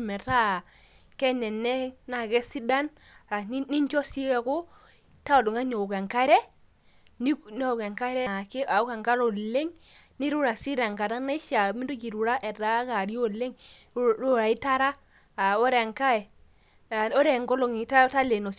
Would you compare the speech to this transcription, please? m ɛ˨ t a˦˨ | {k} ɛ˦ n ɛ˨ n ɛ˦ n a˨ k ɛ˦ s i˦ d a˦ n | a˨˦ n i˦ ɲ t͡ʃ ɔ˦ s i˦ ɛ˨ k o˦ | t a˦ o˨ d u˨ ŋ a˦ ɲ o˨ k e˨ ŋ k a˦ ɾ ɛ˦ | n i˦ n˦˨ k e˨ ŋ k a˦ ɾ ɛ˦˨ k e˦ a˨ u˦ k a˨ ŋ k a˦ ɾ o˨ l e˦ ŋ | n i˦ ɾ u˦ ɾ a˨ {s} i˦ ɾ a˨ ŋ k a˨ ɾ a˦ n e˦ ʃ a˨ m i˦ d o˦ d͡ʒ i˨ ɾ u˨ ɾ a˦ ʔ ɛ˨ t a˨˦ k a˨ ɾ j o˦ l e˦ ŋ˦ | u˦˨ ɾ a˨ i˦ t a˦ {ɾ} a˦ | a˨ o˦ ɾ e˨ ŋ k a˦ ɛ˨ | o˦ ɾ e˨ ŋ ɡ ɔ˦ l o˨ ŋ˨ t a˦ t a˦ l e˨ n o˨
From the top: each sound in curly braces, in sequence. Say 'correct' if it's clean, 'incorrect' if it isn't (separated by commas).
correct, correct, correct